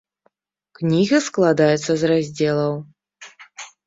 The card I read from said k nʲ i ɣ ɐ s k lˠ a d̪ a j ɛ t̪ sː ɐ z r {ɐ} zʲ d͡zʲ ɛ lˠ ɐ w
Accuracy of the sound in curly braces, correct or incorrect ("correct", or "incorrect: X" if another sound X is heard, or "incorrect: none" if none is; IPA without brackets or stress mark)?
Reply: incorrect: a